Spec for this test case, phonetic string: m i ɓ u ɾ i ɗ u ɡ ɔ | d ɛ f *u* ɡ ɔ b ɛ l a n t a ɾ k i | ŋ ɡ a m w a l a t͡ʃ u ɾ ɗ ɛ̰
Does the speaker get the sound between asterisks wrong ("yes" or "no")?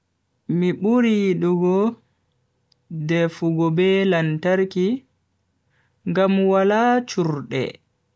no